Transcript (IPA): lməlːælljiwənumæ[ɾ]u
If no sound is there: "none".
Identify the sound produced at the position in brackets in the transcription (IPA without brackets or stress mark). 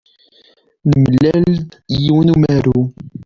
ɾ